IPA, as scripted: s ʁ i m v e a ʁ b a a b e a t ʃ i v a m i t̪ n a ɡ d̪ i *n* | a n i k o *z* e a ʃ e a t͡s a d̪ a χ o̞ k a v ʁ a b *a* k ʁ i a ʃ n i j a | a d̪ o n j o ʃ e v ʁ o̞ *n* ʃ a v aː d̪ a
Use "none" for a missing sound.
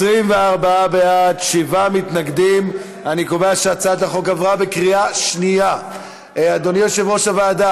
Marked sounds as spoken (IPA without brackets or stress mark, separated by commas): m, v, e, none